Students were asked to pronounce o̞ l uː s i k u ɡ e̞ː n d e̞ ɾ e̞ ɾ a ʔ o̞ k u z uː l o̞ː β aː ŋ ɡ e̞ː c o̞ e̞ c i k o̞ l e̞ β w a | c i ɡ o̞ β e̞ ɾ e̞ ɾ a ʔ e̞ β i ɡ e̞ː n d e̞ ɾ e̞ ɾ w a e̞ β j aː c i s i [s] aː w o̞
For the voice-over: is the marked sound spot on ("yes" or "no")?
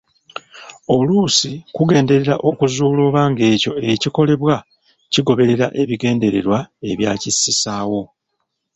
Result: yes